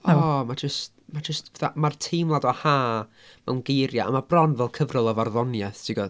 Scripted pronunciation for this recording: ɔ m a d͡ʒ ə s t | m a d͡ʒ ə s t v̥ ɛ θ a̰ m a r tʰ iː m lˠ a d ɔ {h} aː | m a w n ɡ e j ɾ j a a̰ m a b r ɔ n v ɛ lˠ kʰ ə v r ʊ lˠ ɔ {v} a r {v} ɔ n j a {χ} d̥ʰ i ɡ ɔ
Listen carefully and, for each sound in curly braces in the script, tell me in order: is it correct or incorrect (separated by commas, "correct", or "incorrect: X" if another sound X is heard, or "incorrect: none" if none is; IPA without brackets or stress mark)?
correct, correct, incorrect: ð, incorrect: θ